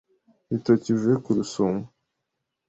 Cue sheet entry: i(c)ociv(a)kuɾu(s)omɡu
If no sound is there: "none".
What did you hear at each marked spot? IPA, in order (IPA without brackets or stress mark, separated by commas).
t, e, s